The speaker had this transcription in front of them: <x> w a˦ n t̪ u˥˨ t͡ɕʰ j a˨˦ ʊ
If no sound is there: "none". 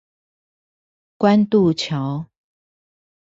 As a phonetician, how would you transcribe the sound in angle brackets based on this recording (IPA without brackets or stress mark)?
k